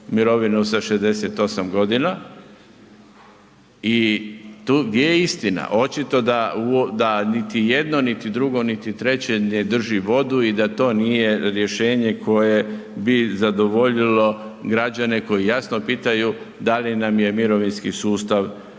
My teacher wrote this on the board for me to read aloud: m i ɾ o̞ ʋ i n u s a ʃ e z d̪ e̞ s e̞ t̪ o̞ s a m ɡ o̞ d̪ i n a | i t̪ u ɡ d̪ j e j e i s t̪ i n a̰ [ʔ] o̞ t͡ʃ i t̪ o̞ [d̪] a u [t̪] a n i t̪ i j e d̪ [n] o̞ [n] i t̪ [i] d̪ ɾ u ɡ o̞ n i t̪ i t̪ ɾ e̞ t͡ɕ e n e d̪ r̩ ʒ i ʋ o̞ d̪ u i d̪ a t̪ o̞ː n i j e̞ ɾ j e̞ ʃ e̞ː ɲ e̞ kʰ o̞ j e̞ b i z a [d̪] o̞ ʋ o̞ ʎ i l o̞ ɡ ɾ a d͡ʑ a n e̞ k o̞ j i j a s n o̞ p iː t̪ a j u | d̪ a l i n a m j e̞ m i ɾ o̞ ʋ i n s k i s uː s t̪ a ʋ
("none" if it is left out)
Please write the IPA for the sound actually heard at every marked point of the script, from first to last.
ʔ, d̪, d̪, n, n, i, d̪

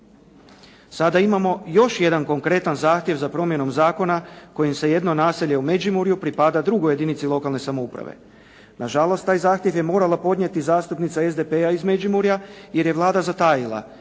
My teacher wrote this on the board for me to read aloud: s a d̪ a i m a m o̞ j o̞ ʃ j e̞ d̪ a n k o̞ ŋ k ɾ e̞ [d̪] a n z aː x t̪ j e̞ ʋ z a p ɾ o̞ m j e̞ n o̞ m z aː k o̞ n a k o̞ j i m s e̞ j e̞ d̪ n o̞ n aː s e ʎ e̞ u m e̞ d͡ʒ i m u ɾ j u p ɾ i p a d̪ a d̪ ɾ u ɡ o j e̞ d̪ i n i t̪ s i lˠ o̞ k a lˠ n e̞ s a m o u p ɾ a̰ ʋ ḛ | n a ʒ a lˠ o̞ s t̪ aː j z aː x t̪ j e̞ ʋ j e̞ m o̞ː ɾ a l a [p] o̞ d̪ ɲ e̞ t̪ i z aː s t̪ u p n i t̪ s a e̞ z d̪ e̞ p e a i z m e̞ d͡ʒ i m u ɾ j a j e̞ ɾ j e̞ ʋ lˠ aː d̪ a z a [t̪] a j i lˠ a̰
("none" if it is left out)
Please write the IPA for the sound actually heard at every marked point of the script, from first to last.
t̪, p, t̪

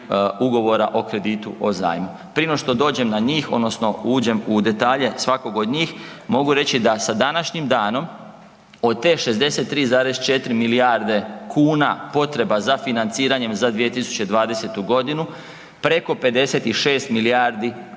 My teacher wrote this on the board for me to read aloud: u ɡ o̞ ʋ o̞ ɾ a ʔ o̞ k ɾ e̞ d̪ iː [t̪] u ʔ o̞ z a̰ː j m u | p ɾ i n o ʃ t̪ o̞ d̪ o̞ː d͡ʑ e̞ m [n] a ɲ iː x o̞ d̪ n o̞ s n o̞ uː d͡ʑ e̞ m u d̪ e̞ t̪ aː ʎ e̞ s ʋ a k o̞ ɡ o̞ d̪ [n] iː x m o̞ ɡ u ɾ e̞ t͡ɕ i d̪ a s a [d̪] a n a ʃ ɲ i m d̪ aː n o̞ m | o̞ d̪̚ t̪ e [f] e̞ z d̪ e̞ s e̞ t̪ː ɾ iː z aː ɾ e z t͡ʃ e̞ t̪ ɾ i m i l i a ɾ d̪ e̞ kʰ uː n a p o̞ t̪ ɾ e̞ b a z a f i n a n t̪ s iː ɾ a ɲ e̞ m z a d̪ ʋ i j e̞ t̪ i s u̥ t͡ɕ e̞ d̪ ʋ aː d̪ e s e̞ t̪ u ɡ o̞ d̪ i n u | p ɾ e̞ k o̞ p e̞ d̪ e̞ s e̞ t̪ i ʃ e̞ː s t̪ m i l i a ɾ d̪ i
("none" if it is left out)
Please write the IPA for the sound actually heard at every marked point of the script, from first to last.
t̪, n, ɲ, d̪, ʃ

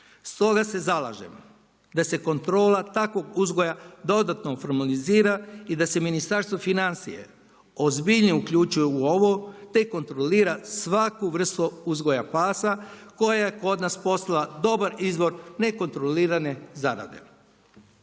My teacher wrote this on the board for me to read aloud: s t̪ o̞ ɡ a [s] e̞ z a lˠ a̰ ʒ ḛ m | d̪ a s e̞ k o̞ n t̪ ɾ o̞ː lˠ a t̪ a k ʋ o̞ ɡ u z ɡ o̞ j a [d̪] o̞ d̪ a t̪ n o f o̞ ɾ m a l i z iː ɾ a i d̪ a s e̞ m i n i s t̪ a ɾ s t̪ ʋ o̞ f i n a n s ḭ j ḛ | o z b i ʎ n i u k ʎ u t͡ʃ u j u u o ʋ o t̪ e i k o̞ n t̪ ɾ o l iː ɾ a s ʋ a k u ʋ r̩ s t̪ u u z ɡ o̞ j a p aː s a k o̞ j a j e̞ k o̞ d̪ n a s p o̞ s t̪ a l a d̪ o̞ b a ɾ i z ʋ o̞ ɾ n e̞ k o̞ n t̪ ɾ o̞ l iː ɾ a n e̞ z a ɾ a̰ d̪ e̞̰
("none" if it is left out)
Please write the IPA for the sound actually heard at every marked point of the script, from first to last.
s, d̪

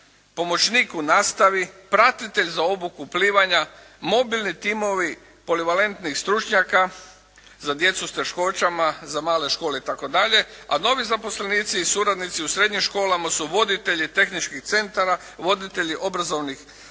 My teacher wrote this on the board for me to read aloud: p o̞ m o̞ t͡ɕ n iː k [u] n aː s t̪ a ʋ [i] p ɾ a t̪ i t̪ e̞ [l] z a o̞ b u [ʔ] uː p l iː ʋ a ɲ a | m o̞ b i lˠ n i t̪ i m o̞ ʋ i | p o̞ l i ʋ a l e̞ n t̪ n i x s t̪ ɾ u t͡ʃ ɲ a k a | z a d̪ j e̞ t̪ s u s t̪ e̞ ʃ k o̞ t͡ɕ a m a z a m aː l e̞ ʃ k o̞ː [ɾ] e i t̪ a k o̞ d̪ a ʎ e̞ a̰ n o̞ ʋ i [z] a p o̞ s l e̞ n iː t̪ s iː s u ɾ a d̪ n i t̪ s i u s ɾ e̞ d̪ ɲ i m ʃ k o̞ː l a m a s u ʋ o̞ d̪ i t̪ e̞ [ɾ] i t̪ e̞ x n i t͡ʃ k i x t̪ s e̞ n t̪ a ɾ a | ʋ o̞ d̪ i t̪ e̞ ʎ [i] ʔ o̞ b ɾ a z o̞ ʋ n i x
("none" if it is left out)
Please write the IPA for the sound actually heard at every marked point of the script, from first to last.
u, i, ʎ, k, l, z, ʎ, i

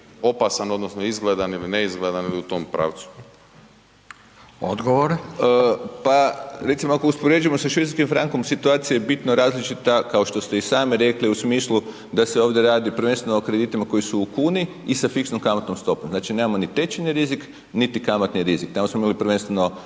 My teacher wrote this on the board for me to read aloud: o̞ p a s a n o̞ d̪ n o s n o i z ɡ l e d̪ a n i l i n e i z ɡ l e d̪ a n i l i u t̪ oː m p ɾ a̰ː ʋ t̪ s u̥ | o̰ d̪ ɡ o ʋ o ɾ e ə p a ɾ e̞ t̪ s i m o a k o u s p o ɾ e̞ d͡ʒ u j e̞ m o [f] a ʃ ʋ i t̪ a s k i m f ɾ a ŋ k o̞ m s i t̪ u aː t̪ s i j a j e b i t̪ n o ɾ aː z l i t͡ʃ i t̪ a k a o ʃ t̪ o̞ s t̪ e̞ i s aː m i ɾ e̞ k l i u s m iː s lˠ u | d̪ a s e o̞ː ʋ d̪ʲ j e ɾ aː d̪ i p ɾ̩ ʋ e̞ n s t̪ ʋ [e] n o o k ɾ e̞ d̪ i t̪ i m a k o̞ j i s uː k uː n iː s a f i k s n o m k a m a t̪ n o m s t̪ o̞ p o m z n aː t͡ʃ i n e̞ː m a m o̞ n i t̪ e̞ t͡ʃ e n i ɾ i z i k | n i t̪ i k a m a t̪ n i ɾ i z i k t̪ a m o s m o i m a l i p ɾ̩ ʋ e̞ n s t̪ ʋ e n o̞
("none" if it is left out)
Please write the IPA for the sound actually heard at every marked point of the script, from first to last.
s, e

